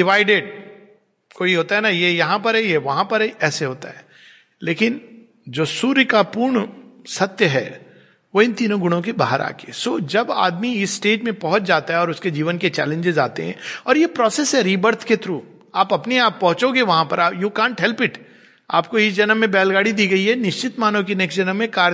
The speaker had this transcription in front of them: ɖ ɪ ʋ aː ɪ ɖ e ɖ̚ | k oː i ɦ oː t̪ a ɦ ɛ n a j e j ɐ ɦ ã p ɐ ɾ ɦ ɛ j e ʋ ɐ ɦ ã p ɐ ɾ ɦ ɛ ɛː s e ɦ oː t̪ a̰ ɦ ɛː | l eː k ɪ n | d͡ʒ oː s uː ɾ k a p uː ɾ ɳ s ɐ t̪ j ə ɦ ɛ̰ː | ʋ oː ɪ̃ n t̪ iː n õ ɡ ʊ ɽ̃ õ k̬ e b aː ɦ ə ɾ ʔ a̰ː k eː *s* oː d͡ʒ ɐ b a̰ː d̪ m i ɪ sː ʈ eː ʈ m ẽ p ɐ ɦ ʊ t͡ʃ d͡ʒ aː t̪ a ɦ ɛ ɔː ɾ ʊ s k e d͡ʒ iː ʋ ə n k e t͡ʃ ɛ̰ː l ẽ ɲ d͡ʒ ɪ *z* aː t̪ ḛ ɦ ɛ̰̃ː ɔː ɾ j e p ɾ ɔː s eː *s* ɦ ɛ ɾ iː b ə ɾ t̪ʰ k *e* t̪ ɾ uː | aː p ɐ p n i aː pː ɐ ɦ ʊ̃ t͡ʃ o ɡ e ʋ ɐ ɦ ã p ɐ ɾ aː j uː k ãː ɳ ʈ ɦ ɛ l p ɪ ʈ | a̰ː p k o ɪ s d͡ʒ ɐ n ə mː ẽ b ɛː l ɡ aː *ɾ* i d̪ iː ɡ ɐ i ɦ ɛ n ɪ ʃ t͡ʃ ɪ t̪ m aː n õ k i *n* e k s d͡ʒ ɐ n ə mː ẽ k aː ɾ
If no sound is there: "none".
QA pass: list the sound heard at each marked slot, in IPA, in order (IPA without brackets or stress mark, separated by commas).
s, z, s, e, ɽ, n